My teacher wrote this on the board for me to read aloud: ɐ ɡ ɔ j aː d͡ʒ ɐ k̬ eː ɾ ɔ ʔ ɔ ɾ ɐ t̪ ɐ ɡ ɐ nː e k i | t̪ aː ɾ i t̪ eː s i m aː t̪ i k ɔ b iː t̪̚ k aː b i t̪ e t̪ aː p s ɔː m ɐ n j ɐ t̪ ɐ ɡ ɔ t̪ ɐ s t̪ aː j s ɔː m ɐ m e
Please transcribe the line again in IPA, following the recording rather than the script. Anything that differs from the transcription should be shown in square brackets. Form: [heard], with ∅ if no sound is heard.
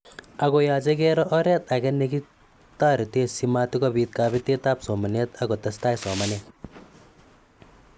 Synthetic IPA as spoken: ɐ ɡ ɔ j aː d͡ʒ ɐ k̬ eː ɾ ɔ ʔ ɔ ɾ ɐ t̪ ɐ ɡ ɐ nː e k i | t̪ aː ɾ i t̪ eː s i m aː t̪ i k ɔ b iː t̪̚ k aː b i t̪ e t̪ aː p s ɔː m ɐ n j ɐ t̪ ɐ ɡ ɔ t̪ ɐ s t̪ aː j s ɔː m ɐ [n] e